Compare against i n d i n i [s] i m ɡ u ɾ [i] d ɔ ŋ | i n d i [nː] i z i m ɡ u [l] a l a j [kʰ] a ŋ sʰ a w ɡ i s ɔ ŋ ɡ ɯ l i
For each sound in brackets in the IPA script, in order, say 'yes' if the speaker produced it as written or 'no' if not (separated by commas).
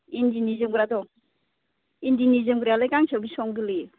no, no, no, no, no